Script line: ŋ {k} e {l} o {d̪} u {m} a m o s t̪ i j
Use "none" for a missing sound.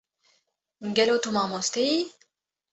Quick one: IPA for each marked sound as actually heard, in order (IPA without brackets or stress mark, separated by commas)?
ɡ, l, t̪, m